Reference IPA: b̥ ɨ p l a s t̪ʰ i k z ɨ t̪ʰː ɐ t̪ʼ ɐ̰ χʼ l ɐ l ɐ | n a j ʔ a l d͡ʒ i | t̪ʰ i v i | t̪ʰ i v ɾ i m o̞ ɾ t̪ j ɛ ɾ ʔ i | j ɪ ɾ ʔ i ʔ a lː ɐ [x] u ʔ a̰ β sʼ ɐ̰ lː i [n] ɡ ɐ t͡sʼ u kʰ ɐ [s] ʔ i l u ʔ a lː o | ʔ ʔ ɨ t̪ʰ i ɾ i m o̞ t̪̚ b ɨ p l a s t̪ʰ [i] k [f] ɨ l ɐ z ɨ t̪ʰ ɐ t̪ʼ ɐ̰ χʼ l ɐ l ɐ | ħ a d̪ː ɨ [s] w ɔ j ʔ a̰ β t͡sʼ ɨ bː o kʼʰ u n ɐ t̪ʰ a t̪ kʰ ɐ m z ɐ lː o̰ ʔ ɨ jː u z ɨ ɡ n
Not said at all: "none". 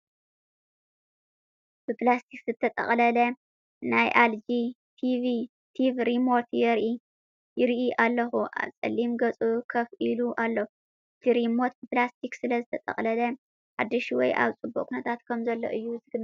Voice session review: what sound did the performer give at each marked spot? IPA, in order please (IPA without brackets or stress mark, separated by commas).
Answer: x, m, f, i, s, ʃ